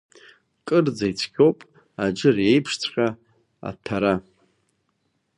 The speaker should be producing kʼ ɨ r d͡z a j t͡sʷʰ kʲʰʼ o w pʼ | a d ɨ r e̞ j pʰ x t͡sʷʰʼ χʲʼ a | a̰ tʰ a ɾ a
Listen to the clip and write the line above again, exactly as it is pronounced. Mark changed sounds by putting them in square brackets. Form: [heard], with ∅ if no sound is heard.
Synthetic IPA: kʼ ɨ r d͡z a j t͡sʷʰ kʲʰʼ o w pʼ | a [d͡ʒ] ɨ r e̞ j pʰ [ʂ] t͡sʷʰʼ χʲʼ a | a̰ tʰ a ɾ a